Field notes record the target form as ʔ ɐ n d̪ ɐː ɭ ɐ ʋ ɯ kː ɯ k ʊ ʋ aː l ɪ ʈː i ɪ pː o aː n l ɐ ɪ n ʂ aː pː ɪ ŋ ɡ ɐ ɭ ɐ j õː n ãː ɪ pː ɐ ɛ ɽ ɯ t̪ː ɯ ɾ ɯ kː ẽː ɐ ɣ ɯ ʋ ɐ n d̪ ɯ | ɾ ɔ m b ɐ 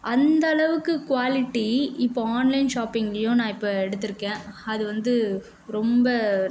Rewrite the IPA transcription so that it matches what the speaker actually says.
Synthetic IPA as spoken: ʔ ɐ n d̪ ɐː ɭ ɐ ʋ ɯ kː ɯ k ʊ ʋ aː l ɪ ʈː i ɪ pː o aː n l ɐ ɪ n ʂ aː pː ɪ ŋ ɡ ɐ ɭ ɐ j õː n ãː ɪ pː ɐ ɛ ɽ ɯ t̪ː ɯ ɾ ɯ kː ẽː ɐ ð ɯ ʋ ɐ n d̪ ɯ | ɾ ɔ m b ɐ